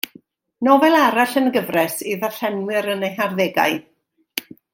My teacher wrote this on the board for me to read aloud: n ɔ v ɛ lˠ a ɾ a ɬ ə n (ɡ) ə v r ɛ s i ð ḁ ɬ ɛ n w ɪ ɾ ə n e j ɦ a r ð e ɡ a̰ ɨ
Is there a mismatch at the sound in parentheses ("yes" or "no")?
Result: no